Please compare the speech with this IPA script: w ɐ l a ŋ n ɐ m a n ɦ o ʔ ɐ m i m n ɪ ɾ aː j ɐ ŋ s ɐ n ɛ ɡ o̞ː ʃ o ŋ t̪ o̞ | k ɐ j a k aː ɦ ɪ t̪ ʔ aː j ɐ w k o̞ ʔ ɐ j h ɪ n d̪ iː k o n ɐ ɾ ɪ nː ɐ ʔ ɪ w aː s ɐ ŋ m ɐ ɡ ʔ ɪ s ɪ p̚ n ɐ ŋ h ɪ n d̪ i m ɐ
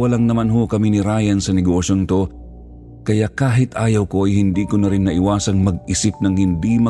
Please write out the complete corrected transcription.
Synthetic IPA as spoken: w ɐ l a ŋ n ɐ m a n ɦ o k ɐ m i n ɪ ɾ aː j ɐ n s ɐ n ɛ ɡ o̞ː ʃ o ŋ t̪ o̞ | k ɐ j a k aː ɦ ɪ t̪ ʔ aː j ɐ w k o̞ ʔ ɐ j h ɪ n d̪ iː k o n ɐ ɾ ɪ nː ɐ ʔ ɪ w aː s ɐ ŋ m ɐ ɡ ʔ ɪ s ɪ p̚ n ɐ ŋ h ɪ n d̪ i m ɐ